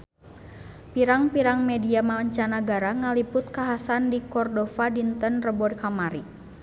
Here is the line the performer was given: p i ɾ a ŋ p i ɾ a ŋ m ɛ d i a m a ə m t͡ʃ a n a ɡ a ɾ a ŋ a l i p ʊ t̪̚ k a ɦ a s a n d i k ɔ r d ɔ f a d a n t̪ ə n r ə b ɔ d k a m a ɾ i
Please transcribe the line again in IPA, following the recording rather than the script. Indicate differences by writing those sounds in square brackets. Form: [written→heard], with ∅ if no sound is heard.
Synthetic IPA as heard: p i ɾ a ŋ p i ɾ a ŋ m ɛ d i a m a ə [m→ɲ] t͡ʃ a n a ɡ a ɾ a ŋ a l i p ʊ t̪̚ k a ɦ a s a n d i k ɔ r d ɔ f a d [a→i] n t̪ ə n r ə b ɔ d k a m a ɾ i